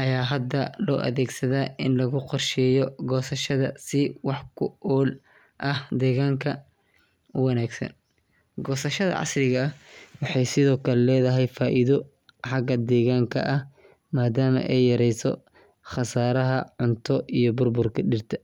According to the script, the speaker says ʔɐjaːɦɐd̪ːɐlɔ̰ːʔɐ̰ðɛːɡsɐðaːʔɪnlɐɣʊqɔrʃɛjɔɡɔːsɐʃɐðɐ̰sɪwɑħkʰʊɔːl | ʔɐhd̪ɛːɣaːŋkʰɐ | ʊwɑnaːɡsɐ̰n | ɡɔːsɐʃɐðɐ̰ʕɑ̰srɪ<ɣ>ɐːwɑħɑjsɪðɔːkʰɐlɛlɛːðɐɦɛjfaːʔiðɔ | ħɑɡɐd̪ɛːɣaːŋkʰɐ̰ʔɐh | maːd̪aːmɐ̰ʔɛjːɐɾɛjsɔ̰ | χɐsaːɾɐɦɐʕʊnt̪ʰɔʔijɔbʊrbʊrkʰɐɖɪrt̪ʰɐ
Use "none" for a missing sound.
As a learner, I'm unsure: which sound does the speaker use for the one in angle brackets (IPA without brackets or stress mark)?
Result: ɣ